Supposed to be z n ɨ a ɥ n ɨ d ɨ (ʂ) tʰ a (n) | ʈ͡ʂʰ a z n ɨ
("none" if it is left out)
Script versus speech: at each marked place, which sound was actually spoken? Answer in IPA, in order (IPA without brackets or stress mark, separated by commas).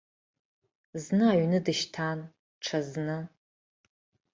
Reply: ʃ, n